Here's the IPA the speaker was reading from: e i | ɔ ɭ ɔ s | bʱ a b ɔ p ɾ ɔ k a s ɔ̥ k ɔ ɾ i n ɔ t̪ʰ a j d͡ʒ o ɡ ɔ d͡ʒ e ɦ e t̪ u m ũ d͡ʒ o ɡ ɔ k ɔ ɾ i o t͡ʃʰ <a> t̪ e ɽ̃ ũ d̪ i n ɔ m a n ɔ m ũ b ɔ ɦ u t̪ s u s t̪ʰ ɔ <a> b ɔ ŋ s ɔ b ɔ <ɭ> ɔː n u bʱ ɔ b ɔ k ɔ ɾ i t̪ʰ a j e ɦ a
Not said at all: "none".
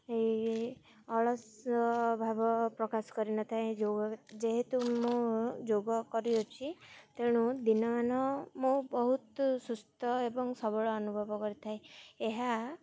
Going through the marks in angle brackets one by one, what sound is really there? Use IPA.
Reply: i, e, ɭ

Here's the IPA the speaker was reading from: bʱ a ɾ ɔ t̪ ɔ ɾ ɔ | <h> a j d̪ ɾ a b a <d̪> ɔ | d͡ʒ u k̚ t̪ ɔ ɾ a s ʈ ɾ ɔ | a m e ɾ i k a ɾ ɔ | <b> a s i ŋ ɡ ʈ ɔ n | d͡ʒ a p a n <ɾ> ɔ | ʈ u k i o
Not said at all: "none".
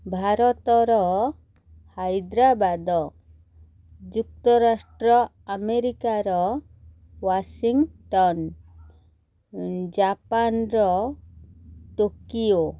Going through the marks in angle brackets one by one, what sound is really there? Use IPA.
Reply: h, d̪, w, ɾ

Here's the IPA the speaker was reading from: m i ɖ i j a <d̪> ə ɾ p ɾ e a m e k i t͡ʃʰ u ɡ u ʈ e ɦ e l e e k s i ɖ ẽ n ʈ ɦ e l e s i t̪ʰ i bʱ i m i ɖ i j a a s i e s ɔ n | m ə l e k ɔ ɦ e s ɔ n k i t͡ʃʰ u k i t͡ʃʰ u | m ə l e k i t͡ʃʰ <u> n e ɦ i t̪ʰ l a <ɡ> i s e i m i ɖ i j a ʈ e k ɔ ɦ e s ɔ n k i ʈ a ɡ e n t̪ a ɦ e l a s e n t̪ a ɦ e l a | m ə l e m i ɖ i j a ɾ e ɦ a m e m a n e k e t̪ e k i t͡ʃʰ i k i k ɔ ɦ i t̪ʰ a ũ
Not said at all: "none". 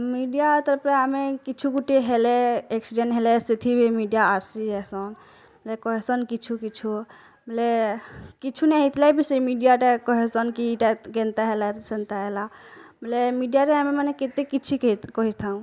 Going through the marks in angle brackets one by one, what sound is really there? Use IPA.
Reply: t̪, u, b

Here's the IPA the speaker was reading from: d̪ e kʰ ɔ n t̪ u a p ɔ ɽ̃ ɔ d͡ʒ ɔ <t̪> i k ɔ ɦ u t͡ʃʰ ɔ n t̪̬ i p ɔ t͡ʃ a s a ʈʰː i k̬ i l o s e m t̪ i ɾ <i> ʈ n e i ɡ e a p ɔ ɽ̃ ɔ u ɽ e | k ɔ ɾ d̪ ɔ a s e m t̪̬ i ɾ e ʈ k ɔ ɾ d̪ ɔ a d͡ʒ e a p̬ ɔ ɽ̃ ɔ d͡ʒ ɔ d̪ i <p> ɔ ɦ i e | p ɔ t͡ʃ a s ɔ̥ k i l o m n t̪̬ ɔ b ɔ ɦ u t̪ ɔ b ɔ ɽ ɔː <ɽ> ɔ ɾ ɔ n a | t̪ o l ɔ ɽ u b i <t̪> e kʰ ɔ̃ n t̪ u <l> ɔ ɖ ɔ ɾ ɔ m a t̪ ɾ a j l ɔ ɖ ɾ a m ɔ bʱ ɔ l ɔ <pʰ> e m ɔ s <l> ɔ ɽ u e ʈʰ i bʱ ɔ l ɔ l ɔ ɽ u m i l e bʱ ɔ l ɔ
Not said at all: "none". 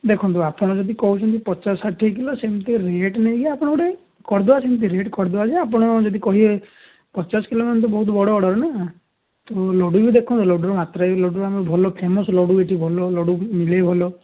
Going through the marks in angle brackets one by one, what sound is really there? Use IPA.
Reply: d̪, e, k, ɽ, d̪, l, pʰ, l

